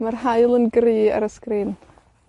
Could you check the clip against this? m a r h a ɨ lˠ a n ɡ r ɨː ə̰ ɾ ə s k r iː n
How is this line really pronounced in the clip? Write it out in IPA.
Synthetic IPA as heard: m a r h a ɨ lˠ ə n ɡ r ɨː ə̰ ɾ ə s k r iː n